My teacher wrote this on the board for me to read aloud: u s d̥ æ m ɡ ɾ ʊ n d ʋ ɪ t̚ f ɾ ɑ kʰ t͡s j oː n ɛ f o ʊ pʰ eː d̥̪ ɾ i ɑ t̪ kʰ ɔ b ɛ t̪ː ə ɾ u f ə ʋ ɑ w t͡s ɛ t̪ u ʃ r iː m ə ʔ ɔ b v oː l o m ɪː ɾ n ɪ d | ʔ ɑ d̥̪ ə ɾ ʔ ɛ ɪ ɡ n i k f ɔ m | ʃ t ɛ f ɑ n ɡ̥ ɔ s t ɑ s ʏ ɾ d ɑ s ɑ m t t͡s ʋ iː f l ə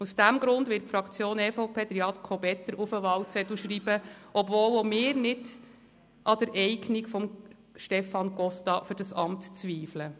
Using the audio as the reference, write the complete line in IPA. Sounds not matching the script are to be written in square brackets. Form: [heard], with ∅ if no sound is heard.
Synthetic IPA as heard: u s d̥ æ m ɡ ɾ ʊ n d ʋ ɪ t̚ f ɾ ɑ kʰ t͡s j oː n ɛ f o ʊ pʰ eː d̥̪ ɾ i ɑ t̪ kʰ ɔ b ɛ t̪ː ə ɾ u f ə ʋ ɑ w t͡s ɛ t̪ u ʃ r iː [b] ə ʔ ɔ b v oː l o m ɪː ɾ n ɪ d | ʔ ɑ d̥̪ ə ɾ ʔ ɛ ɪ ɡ n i k f ɔ m | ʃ t ɛ f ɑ n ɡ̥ ɔ s t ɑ [f] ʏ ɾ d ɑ s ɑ m t t͡s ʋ iː f l ə